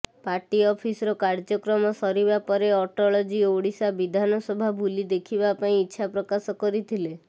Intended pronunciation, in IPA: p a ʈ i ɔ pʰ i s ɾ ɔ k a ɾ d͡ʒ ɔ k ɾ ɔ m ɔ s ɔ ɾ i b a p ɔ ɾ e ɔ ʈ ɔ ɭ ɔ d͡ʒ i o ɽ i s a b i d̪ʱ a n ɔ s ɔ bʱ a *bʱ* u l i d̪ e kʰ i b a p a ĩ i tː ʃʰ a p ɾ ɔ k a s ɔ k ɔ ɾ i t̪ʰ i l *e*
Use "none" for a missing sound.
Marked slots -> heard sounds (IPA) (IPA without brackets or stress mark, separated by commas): bʱ, e